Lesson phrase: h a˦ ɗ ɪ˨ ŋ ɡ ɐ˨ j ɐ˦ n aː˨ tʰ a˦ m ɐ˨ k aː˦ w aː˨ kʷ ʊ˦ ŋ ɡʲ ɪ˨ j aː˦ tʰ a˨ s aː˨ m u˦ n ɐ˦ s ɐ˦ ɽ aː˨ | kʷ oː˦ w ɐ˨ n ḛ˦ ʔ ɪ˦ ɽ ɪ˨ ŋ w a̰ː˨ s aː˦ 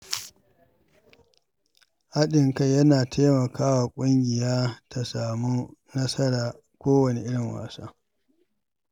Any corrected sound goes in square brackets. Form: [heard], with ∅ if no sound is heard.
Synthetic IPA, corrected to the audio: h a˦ ɗ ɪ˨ ŋ [k] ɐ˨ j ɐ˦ n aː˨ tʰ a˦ m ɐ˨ k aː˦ w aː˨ [kʷʼ] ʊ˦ ŋ ɡʲ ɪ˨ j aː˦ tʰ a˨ s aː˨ m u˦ n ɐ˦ s ɐ˦ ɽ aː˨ | kʷ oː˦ w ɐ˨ n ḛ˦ ʔ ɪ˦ ɽ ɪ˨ ŋ w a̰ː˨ s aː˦